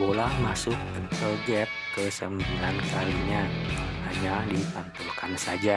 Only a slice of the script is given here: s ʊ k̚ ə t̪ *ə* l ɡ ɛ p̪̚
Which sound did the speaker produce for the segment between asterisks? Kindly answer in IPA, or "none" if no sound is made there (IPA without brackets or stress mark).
ə